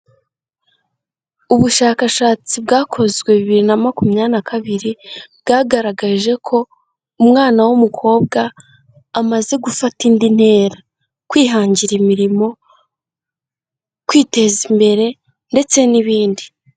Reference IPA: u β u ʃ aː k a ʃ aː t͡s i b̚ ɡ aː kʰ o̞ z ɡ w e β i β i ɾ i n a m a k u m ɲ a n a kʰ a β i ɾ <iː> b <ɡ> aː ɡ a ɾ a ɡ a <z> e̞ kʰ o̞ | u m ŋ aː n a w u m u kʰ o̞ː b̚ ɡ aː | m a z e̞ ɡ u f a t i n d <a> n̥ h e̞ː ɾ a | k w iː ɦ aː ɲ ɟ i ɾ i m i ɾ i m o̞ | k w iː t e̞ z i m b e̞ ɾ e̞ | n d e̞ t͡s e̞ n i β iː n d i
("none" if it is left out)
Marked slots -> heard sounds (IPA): i, ɡ, ʒ, i

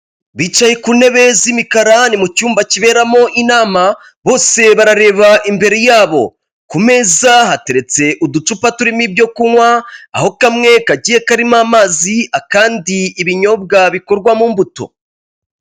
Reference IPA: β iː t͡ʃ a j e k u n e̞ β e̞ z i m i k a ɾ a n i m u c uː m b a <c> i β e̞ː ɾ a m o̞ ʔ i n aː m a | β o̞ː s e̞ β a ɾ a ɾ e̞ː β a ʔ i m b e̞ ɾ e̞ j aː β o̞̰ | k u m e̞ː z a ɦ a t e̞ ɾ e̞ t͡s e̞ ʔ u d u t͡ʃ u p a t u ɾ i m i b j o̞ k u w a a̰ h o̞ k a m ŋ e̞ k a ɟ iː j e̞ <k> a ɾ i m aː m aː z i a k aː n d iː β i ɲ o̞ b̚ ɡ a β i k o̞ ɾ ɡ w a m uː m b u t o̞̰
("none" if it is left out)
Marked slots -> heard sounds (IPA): c, k

